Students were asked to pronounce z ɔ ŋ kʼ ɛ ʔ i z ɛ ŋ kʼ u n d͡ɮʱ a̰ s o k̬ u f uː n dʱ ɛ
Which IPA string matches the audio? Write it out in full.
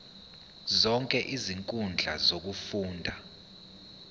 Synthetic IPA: z ɔ ŋ kʼ ɛ ʔ i z i ŋ kʼ u n d͡ɮʱ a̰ z o k̬ u f uː n dʱ a